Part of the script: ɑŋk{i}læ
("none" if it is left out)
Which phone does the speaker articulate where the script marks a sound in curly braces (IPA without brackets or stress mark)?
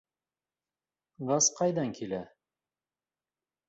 i